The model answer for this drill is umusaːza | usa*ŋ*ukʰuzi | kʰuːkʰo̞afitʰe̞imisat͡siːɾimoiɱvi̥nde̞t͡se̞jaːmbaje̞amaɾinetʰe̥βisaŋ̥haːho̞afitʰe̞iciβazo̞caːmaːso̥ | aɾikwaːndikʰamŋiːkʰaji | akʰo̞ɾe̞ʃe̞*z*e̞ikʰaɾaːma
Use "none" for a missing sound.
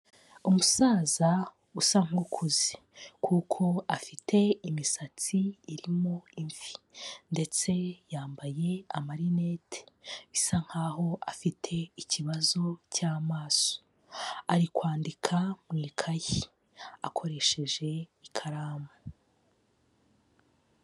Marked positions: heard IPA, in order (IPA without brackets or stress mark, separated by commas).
ŋ, ʒ